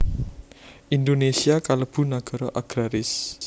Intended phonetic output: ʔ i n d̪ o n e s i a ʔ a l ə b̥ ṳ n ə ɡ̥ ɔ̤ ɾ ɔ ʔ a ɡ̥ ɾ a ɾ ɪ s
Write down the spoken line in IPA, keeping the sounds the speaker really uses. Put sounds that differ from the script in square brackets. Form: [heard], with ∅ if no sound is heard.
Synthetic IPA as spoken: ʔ i n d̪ o n e s i a [k] a l ə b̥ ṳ n [a] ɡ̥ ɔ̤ ɾ ɔ ʔ a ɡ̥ ɾ a ɾ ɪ s